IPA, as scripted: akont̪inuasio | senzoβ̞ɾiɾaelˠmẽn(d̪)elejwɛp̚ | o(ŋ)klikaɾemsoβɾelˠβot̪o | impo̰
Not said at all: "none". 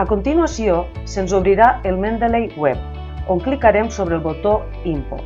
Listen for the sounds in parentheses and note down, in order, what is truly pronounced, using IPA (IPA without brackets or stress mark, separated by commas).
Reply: d̪, ŋ